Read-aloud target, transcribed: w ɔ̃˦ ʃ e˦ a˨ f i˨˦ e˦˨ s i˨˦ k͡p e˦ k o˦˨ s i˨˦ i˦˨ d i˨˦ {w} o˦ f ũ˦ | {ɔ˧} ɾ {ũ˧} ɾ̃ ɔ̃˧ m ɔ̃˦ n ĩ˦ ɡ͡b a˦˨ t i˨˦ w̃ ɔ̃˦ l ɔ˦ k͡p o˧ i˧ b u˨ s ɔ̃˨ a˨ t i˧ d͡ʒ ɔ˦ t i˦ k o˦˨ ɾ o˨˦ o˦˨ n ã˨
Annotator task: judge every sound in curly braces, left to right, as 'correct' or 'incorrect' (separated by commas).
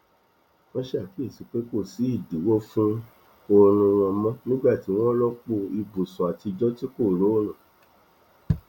correct, incorrect, correct